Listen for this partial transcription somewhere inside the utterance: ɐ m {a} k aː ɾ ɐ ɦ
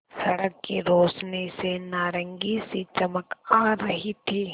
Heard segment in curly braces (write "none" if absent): ə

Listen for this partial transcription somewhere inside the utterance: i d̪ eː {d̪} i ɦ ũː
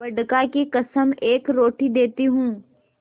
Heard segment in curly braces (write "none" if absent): t̪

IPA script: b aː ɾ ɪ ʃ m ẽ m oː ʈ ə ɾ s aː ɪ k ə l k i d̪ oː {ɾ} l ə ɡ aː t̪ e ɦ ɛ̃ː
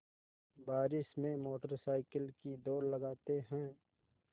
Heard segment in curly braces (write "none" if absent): ɾ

